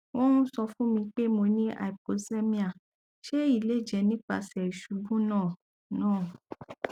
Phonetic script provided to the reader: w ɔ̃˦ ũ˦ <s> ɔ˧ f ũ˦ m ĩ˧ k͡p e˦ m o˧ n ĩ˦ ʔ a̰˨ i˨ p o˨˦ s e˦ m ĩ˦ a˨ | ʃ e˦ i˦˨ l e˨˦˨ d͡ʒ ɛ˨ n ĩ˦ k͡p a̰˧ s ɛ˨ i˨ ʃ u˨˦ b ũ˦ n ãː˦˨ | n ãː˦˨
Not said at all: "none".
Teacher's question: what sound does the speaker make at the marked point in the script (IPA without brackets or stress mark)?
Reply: s